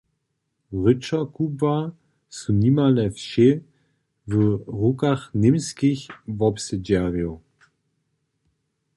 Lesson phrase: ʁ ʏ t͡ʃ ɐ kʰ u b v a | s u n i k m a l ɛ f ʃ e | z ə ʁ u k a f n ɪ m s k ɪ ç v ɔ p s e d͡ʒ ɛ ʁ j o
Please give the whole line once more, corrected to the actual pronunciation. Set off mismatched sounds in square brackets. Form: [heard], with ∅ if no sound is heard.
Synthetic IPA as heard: ʁ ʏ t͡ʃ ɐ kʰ u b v a | s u n i [∅] m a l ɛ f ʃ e | [v] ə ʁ u k a [χ] n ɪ m s k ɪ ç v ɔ p s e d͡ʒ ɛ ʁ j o